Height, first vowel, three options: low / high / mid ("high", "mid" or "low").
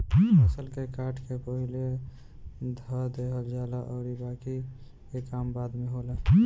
mid